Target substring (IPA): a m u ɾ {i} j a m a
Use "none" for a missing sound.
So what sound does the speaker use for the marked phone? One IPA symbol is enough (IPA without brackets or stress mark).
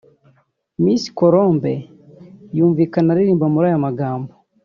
a